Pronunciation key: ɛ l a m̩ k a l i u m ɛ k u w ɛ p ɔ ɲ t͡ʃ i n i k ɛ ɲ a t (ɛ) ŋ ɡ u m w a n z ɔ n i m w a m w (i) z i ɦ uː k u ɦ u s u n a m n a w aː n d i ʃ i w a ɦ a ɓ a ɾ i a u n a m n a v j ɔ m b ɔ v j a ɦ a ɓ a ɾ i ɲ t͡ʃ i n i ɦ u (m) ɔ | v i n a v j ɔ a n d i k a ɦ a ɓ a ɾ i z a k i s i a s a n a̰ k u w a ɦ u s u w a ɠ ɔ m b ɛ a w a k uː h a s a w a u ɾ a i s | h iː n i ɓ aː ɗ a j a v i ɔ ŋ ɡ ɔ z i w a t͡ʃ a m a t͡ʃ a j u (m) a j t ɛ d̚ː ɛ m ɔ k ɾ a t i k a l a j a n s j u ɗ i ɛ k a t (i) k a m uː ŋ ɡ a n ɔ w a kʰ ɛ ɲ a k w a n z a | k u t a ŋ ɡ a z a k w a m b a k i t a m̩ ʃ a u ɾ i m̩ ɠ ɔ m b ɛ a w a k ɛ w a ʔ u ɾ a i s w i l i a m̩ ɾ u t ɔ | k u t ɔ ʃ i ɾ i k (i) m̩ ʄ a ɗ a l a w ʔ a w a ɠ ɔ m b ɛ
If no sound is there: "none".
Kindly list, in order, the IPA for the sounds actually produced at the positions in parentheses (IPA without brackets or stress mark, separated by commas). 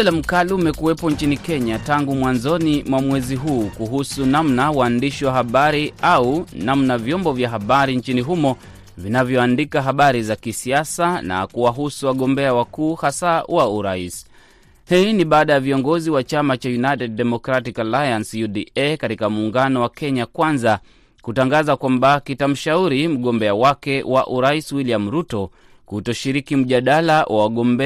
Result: a, ɛ, m, n, i, i